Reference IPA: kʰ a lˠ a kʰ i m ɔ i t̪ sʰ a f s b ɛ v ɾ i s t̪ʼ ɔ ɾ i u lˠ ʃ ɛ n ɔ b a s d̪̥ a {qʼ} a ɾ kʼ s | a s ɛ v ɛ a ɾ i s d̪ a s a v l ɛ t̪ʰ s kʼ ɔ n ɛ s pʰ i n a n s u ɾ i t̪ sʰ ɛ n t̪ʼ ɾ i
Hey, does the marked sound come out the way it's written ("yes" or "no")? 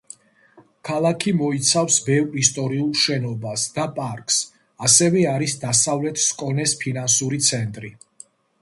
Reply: no